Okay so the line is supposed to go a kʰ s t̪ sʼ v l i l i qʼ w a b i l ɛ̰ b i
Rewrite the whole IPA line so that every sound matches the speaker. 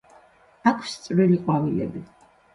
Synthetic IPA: a kʰ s t̪ sʼ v ɾ i l i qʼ w a v i l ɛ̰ b i